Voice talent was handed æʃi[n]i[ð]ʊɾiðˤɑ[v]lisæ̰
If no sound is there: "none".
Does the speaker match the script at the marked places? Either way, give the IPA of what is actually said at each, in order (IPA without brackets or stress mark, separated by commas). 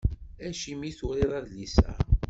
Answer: m, θ, ð